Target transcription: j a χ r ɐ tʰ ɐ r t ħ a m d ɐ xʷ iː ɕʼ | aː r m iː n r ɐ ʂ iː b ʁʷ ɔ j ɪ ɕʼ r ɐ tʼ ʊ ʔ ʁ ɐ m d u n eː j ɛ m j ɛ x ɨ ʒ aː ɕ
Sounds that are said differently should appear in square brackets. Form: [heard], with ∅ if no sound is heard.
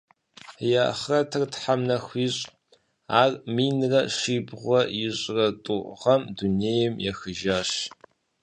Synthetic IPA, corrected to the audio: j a χ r ɐ tʰ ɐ r t ħ a m [n] ɐ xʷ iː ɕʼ | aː r m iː n r ɐ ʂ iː b ʁʷ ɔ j ɪ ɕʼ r ɐ tʼ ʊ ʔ ʁ ɐ m d u n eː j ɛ m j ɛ x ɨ ʒ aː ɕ